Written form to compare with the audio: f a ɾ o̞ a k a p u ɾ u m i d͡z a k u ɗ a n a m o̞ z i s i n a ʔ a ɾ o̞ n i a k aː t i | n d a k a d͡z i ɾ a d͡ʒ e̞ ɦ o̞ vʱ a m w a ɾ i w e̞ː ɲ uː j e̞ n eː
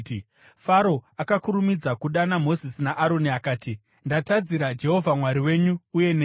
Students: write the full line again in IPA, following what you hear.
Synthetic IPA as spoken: f a ɾ o̞ a k a k u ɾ u m i d͡z a k u ɗ a n a m o̞ z i s i n a ʔ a ɾ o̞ n i a k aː t i | n d a t a d͡z i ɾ a d͡ʒ e̞ ɦ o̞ vʱ a m w a ɾ i w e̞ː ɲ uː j e̞ n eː

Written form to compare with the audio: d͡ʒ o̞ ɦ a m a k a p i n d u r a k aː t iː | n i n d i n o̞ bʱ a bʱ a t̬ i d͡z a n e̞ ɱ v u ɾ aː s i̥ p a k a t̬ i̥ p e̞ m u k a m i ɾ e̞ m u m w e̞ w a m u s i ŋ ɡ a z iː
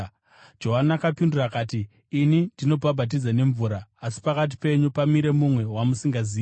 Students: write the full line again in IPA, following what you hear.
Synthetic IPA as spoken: d͡ʒ o̞ ɦ a n a k a p i n d u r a k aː t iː | n i n d i n o̞ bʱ a bʱ a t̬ i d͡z a n e̞ ɱ v u ɾ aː s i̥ p a k a t̬ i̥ p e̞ ɲ u p a m i ɾ e̞ m u m w e̞ w a m u s i ŋ ɡ a z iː

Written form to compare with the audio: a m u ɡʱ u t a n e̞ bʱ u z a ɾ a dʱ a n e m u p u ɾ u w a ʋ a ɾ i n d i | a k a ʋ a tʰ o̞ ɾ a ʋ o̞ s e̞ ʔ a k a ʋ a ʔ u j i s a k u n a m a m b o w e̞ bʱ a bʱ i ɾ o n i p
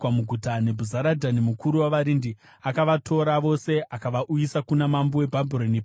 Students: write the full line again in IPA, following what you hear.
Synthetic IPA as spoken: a m u ɡʱ u t a n e̞ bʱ u z a ɾ a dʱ a n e m u k u ɾ u w a ʋ a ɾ i n d i | a k a ʋ a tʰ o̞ ɾ a ʋ o̞ s e̞ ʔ a k a ʋ a ʔ u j i s a k u n a m a m b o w e̞ bʱ a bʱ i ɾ o n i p

